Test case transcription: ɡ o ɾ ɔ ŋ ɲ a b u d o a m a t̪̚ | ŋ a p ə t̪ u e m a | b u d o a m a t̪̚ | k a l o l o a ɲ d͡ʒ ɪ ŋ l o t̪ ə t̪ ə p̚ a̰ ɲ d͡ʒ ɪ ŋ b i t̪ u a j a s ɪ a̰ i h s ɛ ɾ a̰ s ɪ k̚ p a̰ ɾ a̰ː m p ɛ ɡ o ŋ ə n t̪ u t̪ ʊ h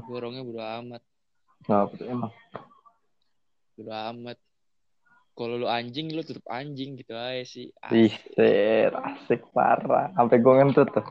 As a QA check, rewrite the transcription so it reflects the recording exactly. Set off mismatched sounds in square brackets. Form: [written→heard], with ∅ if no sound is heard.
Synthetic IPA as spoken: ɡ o ɾ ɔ ŋ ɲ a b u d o a m a t̪̚ | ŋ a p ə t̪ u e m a | b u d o a m a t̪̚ | k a l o l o a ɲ d͡ʒ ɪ ŋ l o t̪ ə t̪ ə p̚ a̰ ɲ d͡ʒ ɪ ŋ [b→ɡ] i t̪ u a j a s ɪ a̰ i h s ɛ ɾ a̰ s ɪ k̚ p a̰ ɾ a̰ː m p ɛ ɡ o ŋ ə n t̪ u t̪ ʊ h